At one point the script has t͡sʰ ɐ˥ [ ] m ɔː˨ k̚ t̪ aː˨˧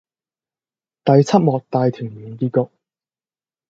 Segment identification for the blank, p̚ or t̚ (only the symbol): t̚